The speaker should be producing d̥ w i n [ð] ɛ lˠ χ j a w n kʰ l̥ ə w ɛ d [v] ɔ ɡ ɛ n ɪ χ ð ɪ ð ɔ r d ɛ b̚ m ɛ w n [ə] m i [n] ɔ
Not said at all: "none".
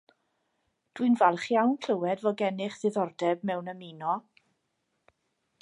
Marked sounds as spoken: v, v, ə, n

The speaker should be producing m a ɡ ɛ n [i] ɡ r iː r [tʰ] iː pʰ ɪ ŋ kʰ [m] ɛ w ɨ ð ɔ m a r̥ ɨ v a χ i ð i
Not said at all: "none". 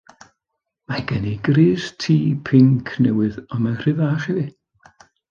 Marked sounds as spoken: i, tʰ, n

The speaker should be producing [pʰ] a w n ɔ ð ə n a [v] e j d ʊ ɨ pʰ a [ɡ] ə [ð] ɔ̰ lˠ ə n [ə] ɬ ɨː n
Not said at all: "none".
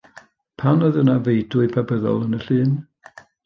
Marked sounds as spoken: pʰ, v, b, ð, ə

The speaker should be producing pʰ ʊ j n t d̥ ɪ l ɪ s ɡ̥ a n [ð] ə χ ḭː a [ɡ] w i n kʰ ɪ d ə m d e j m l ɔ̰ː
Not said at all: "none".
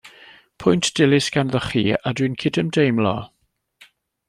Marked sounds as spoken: ð, d

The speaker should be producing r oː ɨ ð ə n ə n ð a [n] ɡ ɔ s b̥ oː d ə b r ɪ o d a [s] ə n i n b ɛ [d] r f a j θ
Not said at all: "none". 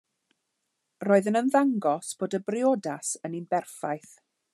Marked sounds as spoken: ŋ, s, none

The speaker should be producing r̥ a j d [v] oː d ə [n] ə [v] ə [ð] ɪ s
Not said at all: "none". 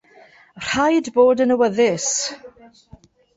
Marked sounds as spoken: b, n, w, ð

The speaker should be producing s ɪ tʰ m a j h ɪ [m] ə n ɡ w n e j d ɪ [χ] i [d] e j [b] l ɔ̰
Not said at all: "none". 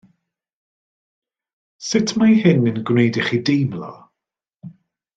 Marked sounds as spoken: n, χ, d, m

